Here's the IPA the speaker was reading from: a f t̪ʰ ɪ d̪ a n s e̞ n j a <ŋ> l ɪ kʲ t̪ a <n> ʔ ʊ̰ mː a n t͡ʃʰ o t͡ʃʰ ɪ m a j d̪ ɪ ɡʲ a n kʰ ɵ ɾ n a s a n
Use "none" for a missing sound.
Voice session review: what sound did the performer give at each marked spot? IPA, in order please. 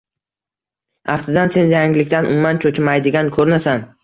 ŋ, n

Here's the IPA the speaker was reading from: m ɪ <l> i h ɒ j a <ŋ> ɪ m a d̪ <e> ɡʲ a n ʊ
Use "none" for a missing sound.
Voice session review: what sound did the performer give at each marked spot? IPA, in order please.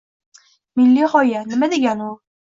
lː, n, e

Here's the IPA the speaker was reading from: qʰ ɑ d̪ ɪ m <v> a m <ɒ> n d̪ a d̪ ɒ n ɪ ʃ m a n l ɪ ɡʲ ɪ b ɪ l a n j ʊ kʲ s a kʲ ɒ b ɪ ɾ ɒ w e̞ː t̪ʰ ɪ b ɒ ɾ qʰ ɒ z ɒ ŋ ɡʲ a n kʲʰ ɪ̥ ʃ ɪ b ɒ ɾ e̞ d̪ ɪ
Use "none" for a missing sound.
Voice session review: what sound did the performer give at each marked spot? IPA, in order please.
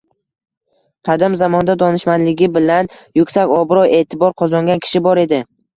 z, ɒ

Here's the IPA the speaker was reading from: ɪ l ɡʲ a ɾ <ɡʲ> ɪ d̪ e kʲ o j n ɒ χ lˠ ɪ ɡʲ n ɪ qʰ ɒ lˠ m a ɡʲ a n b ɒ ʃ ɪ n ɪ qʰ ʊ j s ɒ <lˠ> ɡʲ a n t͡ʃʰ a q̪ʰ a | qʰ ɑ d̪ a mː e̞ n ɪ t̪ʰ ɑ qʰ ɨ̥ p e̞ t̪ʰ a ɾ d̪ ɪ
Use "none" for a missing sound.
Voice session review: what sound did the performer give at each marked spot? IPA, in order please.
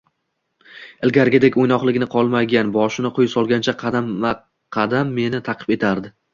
ɡʲ, lˠ

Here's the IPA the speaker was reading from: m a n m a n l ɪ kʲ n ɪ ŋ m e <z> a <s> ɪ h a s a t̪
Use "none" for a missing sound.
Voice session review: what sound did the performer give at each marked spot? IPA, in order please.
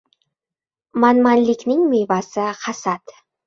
v, s

